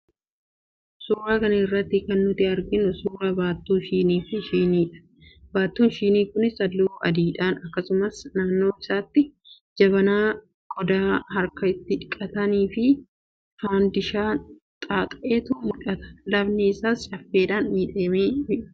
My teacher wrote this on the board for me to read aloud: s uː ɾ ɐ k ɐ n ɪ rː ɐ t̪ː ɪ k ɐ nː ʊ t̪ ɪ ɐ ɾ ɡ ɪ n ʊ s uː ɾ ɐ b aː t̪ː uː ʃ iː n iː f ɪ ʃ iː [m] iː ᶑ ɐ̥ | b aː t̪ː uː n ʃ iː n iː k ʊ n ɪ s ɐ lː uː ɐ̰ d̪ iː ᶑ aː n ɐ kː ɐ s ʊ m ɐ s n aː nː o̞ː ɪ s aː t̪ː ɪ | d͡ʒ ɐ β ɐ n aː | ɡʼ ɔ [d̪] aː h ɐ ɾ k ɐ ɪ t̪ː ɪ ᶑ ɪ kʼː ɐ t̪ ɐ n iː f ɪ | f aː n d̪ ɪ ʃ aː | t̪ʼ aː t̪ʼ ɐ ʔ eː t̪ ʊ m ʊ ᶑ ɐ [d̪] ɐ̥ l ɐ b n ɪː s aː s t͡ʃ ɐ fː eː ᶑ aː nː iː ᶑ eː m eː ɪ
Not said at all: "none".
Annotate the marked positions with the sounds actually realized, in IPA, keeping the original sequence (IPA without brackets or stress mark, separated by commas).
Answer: n, d̪, t̪